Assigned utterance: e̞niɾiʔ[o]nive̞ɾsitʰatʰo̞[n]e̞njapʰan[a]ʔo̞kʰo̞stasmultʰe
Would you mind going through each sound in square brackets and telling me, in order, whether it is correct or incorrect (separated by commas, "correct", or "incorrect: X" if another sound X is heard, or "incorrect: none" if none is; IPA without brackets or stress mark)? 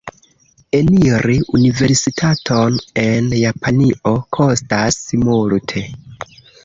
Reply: incorrect: u, correct, incorrect: i